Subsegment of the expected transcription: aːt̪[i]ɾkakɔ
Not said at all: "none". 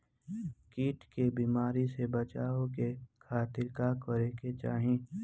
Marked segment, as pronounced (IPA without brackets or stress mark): ɪ